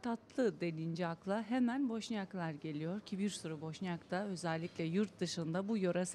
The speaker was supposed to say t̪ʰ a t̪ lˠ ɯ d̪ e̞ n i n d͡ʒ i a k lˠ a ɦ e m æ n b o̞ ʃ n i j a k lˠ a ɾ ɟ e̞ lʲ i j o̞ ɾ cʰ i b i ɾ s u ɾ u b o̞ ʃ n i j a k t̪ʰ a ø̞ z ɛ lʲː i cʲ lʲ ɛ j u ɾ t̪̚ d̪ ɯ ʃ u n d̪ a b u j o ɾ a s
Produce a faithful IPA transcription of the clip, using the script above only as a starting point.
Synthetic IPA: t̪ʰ a t̪ lˠ ɯ d̪ e̞ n i n d͡ʒ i a k lˠ a ɦ e m æ n b o̞ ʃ n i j a k lˠ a ɾ ɟ e̞ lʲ i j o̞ ɾ cʰ i b i ɾ s u ɾ u b o̞ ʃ n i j a k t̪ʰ a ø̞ z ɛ lʲː i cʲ lʲ ɛ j u ɾ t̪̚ d̪ ɯ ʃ ɯ n d̪ a b u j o ɾ a s